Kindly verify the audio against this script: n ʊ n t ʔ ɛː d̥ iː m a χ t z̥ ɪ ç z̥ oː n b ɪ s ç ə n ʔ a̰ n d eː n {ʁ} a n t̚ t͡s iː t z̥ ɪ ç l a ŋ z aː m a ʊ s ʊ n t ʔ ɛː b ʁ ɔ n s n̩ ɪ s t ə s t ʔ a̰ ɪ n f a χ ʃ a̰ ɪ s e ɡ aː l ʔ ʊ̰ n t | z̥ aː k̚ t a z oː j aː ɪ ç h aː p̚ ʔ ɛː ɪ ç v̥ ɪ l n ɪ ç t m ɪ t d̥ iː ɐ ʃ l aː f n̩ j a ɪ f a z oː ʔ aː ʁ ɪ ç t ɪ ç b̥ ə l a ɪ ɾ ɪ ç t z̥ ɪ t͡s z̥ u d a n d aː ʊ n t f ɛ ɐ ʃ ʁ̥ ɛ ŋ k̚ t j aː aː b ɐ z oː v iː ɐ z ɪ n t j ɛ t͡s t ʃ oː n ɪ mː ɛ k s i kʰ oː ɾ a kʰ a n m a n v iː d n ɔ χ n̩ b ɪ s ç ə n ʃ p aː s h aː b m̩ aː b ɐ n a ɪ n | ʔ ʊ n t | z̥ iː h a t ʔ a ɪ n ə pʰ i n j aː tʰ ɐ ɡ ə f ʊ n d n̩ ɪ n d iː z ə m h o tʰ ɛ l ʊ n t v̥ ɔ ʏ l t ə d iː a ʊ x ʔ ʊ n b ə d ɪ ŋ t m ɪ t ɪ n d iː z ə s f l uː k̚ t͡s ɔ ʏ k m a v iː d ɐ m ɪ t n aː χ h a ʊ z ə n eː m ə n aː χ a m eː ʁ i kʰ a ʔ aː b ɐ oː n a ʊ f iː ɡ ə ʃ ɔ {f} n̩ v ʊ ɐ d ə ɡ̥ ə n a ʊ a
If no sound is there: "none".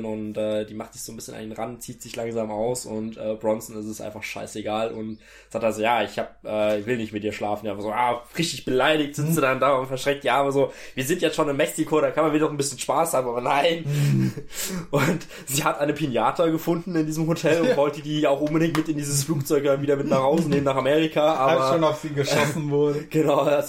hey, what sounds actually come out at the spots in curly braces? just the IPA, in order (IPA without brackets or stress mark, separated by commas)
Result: ʁ, s